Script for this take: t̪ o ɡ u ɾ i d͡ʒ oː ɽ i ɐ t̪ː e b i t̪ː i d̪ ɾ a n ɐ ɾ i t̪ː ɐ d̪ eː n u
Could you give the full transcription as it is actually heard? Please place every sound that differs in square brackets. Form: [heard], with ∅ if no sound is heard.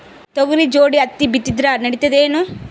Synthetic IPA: t̪ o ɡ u ɾ i d͡ʒ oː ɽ i ɐ t̪ː [i] b i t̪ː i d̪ ɾ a n ɐ [ɽ] i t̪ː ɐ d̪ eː n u